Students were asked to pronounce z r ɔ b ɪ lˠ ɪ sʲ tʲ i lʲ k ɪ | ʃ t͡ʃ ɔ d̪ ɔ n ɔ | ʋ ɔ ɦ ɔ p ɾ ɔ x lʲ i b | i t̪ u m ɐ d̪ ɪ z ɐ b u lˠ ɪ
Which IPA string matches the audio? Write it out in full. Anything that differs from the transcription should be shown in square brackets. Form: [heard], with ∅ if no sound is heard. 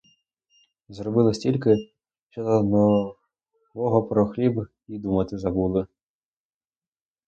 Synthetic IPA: z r ɔ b ɪ lˠ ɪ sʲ tʲ i lʲ k ɪ | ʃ t͡ʃ ɔ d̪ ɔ n ɔ | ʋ ɔ ɦ ɔ p ɾ ɔ x lʲ i b | i [d̪] u m ɐ [t̪] ɪ z ɐ b u lˠ ɪ